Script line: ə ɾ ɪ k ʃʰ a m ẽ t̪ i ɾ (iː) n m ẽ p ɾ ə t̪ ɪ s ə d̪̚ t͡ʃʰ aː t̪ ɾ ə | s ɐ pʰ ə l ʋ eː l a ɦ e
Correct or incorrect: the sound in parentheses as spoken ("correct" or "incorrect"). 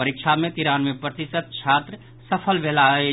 incorrect